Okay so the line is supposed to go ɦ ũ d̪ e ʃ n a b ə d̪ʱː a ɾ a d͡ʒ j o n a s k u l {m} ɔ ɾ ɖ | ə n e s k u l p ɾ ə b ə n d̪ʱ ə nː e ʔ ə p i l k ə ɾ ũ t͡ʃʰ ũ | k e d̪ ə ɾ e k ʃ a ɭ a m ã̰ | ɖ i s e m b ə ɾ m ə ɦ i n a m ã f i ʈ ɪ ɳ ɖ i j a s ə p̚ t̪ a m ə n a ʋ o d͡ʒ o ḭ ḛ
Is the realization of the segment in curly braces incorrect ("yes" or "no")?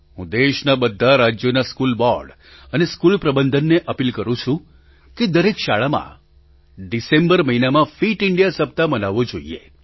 yes